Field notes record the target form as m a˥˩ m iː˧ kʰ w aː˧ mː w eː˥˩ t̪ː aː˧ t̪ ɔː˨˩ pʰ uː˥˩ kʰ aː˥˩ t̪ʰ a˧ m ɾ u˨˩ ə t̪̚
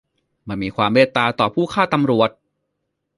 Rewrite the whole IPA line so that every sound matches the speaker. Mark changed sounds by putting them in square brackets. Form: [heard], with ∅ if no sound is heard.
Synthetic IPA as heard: m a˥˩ m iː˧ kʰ w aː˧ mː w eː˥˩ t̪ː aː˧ t̪ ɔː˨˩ pʰ uː˥˩ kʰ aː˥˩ [t̪] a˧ m ɾ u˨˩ ə t̪̚